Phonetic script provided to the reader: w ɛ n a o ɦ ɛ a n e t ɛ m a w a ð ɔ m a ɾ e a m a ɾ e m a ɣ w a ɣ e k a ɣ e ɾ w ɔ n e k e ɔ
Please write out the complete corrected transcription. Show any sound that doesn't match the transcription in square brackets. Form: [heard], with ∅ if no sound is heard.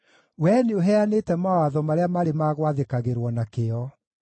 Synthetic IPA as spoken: w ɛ n [e] o ɦ ɛ a n e t ɛ m a w a ð ɔ m a ɾ e a m a ɾ e m a ɣ w a [ð] e k a ɣ e ɾ w ɔ n [a] k e ɔ